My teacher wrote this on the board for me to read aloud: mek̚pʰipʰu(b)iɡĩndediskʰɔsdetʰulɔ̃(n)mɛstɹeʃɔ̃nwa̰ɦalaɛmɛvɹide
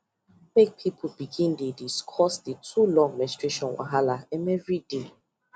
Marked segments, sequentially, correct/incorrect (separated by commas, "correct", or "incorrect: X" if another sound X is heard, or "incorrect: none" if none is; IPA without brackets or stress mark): correct, incorrect: ŋ